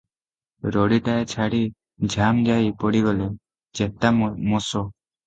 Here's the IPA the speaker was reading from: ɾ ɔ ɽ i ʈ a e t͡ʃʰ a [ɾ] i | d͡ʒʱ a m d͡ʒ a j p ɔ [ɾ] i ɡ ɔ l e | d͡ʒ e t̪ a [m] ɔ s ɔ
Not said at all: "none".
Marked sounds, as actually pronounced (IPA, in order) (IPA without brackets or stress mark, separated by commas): ɽ, ɽ, m